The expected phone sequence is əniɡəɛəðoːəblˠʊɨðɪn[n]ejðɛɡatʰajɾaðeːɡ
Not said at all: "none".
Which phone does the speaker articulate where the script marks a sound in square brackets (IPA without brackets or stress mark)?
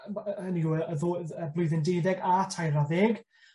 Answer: d